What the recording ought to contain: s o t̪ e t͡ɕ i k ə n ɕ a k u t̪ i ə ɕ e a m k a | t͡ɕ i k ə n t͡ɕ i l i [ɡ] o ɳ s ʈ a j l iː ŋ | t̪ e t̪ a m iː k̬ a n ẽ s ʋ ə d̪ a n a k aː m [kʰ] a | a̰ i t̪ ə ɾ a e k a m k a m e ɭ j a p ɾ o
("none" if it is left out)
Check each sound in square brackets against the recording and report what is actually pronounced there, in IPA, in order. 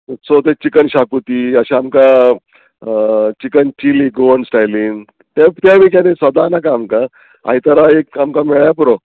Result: ɡ, k

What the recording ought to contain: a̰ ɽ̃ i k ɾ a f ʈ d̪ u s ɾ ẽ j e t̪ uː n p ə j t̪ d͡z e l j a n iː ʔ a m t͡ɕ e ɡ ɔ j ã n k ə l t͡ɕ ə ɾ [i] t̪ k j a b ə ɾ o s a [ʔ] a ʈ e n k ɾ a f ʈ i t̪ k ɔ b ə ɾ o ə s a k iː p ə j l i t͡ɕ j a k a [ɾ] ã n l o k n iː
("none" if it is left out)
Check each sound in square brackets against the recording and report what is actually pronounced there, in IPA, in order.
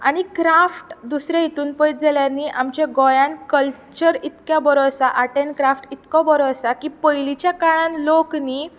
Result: i, ʔ, ɭ

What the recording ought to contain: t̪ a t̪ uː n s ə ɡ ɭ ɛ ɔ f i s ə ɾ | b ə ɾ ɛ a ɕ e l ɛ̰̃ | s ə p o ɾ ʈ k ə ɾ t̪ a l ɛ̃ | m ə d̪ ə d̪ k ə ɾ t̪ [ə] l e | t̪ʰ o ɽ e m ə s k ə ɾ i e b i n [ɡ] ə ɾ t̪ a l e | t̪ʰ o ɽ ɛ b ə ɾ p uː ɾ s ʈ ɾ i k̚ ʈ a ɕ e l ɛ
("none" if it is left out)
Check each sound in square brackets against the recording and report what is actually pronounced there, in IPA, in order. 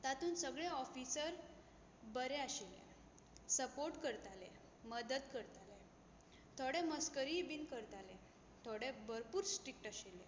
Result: a, k

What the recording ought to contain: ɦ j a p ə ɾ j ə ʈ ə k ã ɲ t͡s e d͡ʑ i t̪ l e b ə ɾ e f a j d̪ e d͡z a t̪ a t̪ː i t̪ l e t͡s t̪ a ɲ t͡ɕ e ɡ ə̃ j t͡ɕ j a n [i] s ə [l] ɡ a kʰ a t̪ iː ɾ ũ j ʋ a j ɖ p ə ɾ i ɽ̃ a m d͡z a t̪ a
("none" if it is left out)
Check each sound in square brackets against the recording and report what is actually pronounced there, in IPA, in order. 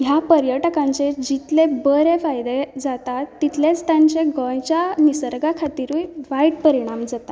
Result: i, ɾ

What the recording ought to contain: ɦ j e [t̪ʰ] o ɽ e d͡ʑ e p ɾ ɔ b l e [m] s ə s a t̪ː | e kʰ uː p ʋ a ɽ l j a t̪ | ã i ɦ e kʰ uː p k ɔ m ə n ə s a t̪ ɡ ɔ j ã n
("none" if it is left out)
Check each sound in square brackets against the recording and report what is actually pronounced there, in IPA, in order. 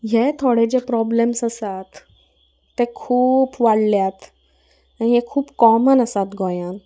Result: t̪ʰ, m

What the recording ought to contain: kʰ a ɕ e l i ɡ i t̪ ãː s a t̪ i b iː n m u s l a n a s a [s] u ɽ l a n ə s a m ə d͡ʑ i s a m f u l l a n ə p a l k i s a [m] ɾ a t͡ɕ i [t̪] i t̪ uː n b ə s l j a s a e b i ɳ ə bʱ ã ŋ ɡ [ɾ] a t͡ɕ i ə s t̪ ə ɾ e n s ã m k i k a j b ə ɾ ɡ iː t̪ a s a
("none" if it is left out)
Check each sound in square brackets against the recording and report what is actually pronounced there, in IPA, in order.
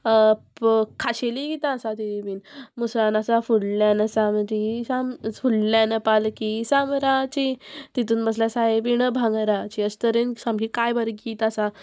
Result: f, m, t̪, ɾ

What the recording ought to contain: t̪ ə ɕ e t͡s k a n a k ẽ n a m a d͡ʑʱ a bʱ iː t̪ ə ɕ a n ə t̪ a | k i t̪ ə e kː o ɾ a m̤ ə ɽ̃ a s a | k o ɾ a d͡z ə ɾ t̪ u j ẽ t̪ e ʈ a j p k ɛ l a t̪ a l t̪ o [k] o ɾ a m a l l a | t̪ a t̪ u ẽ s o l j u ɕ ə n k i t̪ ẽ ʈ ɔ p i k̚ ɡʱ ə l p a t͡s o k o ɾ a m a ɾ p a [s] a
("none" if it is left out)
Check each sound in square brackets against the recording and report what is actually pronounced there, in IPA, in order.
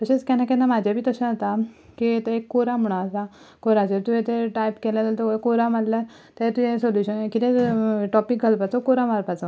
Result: k, t͡s

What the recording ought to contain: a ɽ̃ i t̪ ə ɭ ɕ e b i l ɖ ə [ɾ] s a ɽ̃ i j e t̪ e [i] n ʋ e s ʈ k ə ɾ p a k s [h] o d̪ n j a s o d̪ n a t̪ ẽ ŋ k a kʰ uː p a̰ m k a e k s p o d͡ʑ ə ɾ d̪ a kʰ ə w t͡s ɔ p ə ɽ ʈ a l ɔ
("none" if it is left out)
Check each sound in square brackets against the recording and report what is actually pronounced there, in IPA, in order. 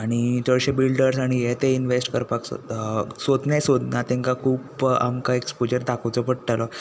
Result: ɾ, i, s

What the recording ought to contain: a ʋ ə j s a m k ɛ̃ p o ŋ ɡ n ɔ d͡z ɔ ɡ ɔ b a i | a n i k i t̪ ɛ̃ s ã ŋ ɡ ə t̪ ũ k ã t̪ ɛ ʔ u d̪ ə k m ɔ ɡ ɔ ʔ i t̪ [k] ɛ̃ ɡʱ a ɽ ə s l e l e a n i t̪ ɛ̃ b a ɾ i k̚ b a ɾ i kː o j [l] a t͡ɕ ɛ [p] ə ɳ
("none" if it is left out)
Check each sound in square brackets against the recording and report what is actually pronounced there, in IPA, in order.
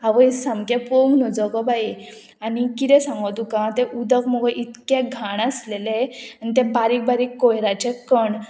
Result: k, ɾ, k

